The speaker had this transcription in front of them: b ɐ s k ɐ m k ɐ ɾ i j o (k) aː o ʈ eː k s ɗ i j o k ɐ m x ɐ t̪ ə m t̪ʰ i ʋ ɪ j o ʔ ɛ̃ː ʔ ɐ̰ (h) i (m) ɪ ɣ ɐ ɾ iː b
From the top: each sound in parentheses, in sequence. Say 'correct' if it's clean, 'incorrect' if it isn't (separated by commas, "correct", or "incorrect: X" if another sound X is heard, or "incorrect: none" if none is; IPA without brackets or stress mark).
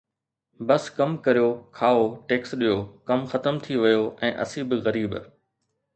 incorrect: kʰ, incorrect: s, incorrect: b